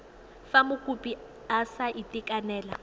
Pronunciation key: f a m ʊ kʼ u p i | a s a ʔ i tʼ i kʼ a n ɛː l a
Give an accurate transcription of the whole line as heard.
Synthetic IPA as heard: f a m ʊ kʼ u p i | a s a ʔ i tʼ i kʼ a n ɛː l a